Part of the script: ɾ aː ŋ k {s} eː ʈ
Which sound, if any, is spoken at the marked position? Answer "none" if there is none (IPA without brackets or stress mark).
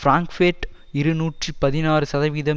f